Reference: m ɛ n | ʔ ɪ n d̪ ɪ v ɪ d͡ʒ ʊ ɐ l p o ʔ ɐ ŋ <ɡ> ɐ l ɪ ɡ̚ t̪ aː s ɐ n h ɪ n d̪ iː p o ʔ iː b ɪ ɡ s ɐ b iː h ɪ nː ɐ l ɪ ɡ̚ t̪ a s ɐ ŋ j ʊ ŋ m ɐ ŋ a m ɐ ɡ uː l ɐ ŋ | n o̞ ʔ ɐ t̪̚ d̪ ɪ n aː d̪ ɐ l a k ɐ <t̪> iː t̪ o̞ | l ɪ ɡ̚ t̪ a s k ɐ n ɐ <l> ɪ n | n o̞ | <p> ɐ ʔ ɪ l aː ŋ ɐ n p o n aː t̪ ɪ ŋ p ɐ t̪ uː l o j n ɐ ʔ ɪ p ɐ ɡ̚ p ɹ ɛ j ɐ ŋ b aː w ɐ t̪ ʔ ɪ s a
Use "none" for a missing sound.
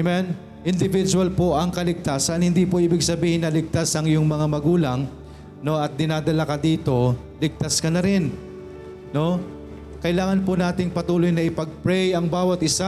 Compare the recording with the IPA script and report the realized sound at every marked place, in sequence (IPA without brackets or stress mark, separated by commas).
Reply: k, d̪, ɾ, k